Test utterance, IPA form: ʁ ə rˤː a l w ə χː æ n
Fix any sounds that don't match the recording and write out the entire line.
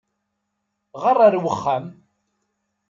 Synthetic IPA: ʁ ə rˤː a ɾ w ə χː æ m